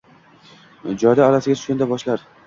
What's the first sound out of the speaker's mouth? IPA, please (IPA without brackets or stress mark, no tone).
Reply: d͡ʒ